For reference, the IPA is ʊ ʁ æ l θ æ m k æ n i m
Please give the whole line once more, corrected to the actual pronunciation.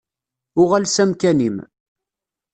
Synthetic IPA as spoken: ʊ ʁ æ l s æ m k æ n i m

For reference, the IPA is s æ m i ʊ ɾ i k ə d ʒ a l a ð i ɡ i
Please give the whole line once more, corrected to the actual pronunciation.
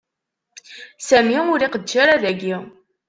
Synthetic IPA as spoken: s æ m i ʊ ɾ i q ə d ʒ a ɾ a ð æ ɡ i

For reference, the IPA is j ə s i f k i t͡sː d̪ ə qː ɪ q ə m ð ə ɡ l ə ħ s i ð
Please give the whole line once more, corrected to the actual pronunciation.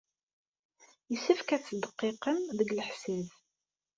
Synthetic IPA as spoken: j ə s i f k æ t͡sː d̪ ə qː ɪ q ə m ð ə ɡ l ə ħ s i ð

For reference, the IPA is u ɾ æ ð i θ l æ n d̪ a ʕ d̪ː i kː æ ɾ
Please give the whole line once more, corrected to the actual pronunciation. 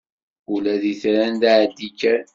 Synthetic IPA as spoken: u l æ ð i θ ɾ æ n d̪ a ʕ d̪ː i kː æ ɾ

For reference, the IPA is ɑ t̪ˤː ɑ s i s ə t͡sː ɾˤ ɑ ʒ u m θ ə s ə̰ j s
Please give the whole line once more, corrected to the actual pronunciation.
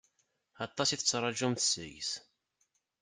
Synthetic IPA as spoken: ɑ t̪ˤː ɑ s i θ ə t͡sː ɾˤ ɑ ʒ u m θ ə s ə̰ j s

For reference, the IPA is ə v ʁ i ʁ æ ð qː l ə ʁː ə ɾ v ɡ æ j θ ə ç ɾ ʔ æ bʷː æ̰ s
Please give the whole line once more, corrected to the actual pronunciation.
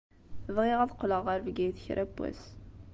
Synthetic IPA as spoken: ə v ʁ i ʁ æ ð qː l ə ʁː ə ɾ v ɡ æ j θ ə ç ɾ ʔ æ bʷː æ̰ s

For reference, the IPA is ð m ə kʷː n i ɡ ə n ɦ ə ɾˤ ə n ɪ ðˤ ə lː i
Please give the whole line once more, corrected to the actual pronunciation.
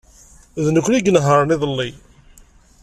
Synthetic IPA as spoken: ð n ə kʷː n i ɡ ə n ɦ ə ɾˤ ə n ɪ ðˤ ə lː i

